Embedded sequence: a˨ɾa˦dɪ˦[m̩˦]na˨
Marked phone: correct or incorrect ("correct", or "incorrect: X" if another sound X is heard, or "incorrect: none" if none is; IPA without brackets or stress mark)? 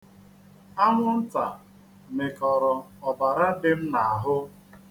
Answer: correct